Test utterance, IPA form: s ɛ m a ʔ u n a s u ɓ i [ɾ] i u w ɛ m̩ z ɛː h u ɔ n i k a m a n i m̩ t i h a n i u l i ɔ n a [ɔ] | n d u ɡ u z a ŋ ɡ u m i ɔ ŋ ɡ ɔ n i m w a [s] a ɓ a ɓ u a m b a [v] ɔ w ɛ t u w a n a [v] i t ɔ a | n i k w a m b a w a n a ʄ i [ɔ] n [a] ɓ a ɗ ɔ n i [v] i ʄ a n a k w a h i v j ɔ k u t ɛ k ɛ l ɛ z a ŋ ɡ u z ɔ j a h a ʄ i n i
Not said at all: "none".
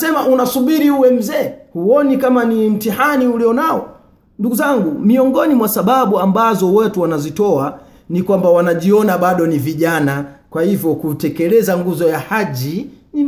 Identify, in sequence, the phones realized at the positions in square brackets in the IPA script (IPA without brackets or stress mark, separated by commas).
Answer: ɾ, ɔ, s, z, z, ɔ, a, v